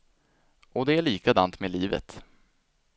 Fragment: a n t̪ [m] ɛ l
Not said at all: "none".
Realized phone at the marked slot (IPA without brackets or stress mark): m